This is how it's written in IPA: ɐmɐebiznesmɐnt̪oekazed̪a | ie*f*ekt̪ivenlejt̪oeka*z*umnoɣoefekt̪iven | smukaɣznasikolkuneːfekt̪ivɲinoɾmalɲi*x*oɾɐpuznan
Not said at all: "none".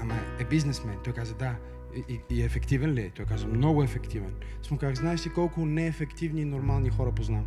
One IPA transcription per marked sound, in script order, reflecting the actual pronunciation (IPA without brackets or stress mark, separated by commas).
f, z, x